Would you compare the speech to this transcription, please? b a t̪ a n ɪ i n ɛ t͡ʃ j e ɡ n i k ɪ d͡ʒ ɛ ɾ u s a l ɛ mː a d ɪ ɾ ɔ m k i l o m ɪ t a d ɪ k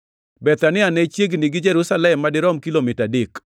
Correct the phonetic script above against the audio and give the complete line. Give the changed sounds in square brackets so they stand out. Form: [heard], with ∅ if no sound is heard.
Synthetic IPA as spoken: b [ɛ] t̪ a n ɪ [a] n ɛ t͡ʃ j e ɡ n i [ɡ] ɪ d͡ʒ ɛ ɾ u s a l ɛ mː a d ɪ ɾ ɔ m k i l o m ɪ t a d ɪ k